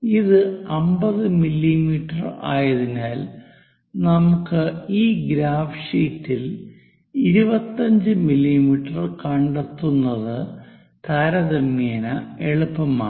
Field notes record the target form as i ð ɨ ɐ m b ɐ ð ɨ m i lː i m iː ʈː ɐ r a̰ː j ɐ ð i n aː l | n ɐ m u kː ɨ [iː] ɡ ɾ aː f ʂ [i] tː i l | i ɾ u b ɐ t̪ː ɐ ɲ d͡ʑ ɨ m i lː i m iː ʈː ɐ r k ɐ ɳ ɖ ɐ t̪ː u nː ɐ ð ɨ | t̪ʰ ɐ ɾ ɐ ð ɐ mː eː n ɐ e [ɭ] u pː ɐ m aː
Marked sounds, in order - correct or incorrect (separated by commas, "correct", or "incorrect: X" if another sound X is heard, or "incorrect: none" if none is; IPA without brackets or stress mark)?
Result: correct, incorrect: iː, correct